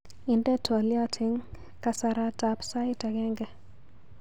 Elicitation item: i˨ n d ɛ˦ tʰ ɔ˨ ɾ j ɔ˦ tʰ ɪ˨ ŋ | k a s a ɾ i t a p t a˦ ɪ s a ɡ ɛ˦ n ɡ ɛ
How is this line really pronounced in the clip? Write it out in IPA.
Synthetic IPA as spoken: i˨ n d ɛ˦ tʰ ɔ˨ l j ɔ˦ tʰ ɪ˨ ŋ | k a s a ɾ a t a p s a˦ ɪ t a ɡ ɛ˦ ŋ ɡ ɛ